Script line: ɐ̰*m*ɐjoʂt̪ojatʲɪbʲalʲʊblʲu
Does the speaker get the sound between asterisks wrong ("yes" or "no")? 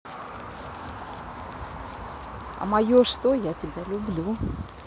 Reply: no